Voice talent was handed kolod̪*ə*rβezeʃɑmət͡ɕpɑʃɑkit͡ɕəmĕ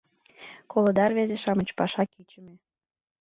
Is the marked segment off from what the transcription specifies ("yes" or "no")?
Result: yes